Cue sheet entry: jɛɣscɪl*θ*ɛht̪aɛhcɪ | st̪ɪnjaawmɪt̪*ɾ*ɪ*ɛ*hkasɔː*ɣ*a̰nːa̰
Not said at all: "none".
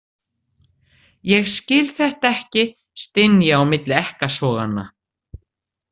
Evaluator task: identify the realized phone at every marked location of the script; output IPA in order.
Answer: θ, l, ɛ, ɣ

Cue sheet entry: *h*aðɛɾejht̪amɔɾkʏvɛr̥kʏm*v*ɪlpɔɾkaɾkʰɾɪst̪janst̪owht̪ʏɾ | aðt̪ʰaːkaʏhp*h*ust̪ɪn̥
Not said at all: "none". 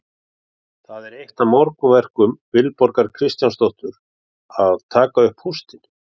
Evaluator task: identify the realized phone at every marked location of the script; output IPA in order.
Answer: θ, v, h

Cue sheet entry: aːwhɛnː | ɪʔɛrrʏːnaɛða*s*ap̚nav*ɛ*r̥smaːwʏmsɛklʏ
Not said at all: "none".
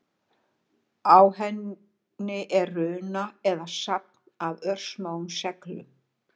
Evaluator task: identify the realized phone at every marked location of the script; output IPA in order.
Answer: s, œ

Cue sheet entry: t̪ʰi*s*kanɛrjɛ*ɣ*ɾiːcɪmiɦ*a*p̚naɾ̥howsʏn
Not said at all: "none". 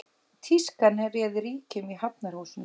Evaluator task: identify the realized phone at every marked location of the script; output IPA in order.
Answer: s, ð, a

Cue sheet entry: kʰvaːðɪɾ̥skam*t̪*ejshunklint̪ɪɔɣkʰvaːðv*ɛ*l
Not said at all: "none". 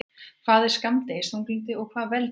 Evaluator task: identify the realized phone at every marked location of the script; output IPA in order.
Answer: t̪, ɛ

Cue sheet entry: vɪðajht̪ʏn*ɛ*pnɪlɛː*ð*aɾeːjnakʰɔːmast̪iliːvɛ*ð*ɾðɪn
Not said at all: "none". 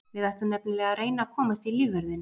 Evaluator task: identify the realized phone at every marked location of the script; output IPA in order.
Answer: ɛ, ɣ, none

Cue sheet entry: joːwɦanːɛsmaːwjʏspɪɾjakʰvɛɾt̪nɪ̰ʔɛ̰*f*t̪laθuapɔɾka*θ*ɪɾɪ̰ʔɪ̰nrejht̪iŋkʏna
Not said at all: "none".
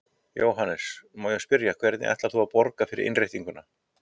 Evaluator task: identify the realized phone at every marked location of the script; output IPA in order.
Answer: h, f

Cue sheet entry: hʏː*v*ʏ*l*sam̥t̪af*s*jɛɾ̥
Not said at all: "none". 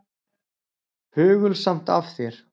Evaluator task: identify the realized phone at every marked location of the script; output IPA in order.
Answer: ɣ, l, θ

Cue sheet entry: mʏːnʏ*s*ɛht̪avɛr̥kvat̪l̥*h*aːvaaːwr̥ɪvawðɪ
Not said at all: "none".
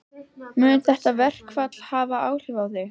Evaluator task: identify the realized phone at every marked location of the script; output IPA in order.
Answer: θ, h

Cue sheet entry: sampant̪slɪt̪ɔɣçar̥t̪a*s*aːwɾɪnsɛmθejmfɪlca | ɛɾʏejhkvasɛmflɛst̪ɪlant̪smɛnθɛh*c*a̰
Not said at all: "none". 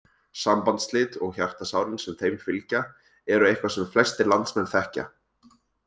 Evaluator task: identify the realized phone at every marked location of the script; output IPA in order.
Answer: s, c

